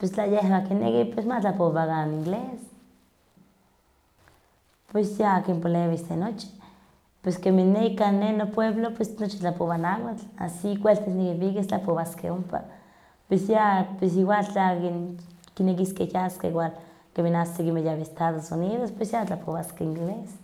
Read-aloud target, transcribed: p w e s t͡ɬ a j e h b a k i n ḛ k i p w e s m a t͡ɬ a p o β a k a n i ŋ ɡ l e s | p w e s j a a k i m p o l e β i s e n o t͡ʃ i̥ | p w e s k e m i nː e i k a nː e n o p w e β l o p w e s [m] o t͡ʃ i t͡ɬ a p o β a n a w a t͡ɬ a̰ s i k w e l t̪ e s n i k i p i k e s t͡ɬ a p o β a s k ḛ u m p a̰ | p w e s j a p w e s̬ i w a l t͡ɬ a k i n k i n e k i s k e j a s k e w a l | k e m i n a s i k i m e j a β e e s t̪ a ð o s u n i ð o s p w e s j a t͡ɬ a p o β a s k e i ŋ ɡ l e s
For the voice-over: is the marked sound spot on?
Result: no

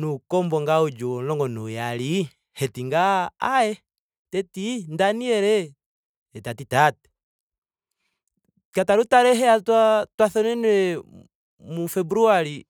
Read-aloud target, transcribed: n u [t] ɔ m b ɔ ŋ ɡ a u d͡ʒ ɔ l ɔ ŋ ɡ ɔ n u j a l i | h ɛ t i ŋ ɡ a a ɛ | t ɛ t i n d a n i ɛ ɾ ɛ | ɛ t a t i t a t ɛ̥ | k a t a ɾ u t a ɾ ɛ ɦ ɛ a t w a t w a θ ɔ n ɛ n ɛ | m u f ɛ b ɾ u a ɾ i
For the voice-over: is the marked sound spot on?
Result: no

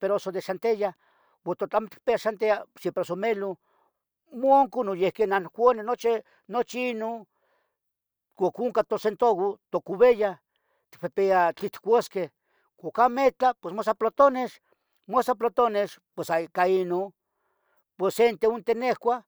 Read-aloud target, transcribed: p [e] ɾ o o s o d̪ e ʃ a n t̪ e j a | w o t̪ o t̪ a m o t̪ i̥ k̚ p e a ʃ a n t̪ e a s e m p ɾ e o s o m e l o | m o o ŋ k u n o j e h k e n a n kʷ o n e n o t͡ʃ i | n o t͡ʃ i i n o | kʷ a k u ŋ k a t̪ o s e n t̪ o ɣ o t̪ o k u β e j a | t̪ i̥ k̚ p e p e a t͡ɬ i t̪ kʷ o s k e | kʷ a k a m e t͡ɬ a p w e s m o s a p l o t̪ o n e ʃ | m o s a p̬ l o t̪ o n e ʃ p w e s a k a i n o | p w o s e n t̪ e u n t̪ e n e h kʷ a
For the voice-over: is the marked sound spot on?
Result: yes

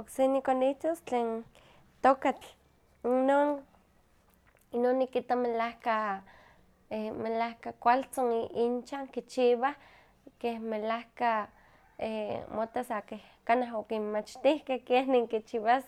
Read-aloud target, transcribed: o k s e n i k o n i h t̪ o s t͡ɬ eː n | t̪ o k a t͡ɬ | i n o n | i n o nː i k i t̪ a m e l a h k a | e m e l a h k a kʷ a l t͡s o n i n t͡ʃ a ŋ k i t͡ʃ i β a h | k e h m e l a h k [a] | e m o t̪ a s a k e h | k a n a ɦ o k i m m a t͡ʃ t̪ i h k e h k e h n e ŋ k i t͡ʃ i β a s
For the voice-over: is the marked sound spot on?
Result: yes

